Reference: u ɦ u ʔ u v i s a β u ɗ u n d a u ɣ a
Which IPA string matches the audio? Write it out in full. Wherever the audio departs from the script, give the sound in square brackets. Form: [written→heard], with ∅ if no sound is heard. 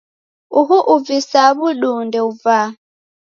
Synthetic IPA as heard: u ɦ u ʔ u v i s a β u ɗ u n d [a→ɛ] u [ɣ→v] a